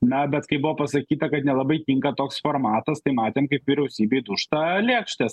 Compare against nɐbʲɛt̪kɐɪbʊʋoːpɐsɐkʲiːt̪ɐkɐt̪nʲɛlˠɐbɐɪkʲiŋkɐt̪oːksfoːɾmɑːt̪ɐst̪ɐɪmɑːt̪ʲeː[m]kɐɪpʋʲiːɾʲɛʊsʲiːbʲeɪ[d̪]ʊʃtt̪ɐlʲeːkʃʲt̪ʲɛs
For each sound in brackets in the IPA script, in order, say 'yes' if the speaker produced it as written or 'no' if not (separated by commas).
yes, yes